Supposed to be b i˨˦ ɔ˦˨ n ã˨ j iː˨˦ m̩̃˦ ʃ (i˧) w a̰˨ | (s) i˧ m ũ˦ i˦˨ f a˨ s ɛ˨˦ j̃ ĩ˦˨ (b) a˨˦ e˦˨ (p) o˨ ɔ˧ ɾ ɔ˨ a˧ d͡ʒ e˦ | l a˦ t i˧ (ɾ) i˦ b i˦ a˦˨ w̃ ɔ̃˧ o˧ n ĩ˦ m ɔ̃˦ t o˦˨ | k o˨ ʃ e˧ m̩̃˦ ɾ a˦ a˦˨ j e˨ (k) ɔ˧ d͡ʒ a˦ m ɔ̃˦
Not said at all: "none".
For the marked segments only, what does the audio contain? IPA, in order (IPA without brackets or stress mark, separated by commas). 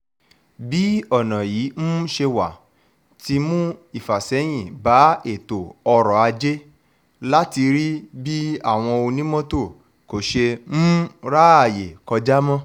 e˧, t, b, t, ɾ, k